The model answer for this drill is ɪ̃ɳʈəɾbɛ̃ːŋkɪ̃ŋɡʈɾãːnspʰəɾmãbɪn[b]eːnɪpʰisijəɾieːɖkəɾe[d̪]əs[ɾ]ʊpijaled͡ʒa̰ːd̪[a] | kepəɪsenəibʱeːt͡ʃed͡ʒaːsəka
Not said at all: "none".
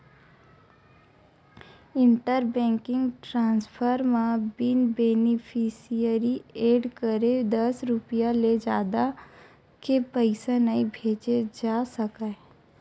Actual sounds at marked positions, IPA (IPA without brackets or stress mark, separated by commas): b, d̪, ɾ, a